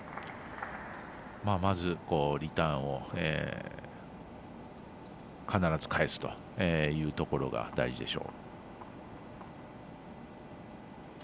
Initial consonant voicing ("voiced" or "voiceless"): voiced